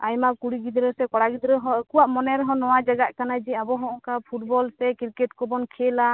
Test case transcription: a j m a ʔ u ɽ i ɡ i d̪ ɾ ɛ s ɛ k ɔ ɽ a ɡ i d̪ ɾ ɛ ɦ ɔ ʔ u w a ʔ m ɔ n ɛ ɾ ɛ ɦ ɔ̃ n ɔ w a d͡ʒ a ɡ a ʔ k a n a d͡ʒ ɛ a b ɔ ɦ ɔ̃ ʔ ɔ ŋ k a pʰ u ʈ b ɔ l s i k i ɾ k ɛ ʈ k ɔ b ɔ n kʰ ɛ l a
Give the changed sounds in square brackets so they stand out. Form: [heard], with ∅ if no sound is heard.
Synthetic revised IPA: a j m a [k] u ɽ i ɡ i d̪ ɾ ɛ s ɛ k ɔ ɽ a ɡ i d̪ ɾ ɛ ɦ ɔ [k] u w a ʔ m ɔ n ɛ ɾ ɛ ɦ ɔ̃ n ɔ w a d͡ʒ a ɡ a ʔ k a n a d͡ʒ ɛ a b ɔ ɦ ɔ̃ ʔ ɔ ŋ k a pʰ u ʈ b ɔ l s [ɛ] k i ɾ k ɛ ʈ k ɔ b ɔ n kʰ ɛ l a